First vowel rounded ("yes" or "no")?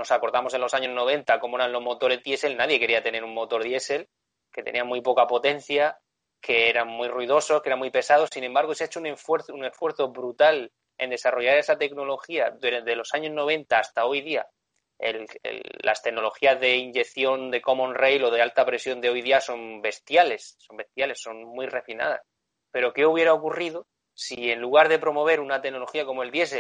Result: yes